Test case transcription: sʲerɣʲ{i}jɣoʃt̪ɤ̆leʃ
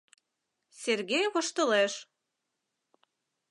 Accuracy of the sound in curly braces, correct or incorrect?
incorrect: e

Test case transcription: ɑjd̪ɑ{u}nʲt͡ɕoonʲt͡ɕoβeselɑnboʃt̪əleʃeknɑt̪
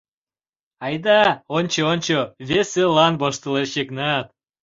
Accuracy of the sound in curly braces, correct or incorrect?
incorrect: o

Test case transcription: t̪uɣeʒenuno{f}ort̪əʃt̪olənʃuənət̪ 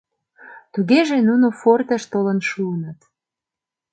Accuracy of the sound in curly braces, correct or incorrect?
correct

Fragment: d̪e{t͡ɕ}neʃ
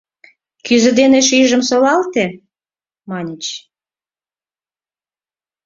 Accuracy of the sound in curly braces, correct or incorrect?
incorrect: none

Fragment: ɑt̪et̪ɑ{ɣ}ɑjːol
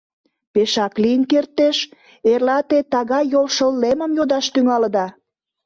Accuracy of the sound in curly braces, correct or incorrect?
correct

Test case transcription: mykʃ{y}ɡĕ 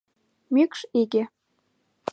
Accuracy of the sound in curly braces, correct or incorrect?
incorrect: i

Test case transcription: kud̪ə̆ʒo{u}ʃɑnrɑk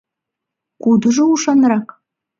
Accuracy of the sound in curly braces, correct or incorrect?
correct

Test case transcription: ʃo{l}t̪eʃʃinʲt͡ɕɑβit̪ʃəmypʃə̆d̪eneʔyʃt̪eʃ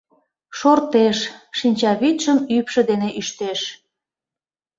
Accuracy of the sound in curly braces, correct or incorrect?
incorrect: r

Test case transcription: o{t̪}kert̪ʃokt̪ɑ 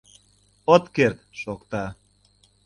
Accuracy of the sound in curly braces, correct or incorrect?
correct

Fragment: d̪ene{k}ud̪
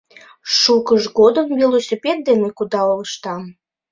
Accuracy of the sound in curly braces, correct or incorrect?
correct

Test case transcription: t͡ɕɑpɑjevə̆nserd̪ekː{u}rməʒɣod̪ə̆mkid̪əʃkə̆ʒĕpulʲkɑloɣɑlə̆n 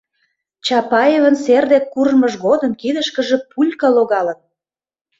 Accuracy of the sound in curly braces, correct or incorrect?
correct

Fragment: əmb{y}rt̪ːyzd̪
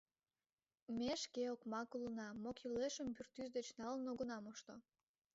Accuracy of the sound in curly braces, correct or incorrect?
correct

